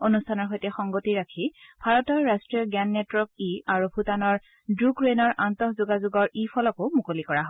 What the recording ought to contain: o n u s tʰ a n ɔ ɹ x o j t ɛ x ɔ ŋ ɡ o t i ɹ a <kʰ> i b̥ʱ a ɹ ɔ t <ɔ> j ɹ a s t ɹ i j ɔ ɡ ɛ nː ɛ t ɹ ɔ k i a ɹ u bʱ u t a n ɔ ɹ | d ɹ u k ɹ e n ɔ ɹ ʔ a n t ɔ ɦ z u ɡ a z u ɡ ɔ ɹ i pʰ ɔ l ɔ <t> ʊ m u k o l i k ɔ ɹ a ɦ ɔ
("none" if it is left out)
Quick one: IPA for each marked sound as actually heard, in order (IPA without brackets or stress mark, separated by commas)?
kʰ, ɔ, k